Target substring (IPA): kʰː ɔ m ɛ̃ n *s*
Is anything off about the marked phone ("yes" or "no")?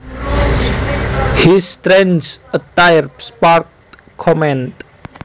yes